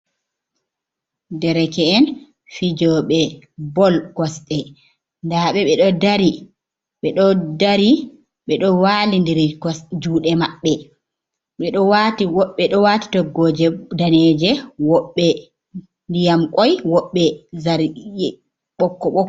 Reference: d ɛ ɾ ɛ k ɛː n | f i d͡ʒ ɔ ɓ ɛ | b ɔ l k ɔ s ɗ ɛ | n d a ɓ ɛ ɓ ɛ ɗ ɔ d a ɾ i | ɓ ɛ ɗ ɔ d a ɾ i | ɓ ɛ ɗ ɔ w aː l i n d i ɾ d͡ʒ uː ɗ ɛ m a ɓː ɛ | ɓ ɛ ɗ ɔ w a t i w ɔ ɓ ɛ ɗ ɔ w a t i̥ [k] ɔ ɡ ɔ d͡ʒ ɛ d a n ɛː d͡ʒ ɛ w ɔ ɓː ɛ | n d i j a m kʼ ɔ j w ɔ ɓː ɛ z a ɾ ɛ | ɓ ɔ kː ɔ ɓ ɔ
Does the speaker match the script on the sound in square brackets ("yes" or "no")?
no